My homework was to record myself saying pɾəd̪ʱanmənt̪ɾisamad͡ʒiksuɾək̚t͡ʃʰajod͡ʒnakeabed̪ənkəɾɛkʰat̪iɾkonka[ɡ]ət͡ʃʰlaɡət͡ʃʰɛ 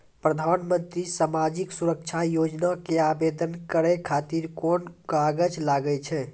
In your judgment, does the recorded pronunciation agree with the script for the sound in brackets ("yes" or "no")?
yes